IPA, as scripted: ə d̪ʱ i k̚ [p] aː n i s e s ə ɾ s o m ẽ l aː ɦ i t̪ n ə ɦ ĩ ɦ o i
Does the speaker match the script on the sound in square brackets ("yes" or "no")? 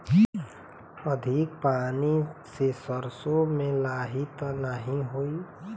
yes